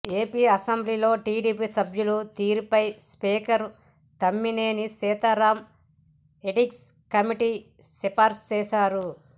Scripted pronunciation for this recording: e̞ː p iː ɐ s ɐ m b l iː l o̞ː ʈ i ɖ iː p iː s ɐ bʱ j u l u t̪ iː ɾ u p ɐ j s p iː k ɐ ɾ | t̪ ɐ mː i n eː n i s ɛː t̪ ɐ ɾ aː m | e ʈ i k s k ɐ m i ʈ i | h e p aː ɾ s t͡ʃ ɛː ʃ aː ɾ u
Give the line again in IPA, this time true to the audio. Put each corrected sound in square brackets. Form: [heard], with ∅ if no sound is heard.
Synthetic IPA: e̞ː p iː ɐ s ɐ m b l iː l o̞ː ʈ [iː] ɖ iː p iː s ɐ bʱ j u l u t̪ iː ɾ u p ɐ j s p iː k ɐ ɾ | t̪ ɐ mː i n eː n i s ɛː t̪ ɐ ɾ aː m | e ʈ i k s k ɐ m i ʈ i | [s] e p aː ɾ s t͡ʃ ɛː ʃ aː ɾ u